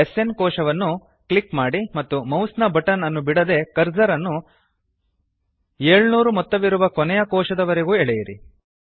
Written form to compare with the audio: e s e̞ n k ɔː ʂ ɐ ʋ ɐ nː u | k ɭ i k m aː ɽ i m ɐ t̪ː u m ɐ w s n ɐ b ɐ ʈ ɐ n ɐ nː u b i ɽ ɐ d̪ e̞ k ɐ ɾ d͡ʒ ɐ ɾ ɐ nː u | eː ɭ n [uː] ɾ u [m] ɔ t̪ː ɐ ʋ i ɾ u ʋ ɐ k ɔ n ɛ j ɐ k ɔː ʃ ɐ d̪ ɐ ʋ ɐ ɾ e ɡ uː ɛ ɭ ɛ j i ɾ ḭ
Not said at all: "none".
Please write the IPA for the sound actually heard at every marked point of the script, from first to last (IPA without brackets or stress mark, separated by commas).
uː, m